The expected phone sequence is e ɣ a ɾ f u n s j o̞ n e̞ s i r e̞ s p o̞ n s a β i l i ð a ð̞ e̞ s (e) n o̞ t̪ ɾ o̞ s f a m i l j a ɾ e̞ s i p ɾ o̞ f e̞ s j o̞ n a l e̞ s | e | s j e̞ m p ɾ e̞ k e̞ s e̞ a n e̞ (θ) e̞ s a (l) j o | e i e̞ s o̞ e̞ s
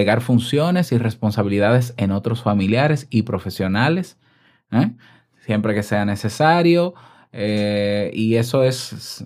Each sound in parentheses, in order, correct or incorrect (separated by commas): correct, incorrect, incorrect